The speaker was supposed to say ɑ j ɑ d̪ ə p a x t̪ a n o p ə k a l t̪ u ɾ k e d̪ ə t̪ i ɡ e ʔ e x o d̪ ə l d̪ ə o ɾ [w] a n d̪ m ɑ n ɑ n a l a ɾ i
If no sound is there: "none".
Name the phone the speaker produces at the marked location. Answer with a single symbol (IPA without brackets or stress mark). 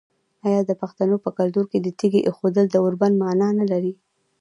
b